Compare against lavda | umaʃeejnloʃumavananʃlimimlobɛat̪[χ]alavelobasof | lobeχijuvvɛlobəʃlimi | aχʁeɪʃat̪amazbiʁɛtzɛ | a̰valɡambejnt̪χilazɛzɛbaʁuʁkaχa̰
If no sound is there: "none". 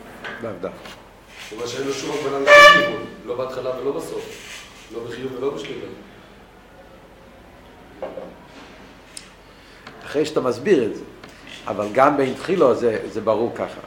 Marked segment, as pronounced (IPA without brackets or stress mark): χ